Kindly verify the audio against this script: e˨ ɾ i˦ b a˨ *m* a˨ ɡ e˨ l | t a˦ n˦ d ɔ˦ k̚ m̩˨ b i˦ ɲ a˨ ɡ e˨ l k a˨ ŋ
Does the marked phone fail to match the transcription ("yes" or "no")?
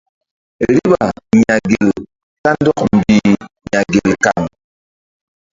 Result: yes